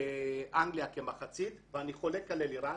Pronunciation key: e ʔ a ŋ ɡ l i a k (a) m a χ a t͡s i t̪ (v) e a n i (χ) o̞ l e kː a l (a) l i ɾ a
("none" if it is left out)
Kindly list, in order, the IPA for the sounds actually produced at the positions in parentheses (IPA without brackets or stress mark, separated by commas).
e, v, χ, e